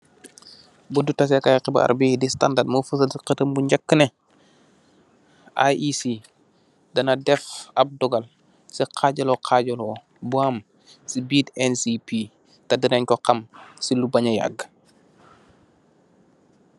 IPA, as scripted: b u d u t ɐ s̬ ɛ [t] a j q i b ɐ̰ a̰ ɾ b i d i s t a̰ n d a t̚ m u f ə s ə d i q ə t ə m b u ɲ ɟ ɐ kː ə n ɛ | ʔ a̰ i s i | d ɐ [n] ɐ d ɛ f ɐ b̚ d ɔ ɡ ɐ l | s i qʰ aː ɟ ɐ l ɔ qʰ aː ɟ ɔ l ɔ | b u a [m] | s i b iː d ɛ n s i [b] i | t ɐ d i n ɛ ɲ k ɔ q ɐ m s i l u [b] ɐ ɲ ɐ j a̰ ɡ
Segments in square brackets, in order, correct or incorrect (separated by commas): incorrect, correct, correct, incorrect, correct